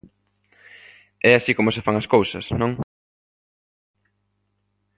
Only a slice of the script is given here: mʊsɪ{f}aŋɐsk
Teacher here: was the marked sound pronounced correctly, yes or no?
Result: yes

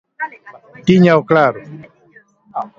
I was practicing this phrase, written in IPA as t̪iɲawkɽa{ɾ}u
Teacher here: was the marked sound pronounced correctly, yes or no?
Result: yes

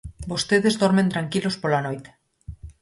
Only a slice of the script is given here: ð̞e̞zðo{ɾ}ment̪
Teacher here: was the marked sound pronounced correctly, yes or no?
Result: yes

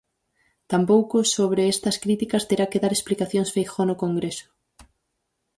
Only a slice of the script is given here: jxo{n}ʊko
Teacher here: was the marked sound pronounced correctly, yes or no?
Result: yes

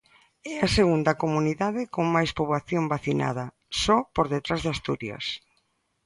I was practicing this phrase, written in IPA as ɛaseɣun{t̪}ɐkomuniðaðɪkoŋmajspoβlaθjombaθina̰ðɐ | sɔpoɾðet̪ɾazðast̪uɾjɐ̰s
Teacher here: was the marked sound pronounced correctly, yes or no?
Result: no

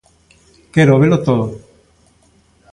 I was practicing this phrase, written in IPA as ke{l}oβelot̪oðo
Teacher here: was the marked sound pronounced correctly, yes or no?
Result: no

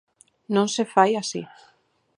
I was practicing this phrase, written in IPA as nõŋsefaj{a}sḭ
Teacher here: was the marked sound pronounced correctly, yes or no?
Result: yes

